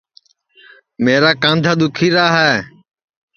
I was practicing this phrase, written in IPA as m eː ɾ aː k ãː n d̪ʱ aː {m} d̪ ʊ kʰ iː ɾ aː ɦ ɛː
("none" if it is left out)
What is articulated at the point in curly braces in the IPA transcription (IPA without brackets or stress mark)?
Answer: none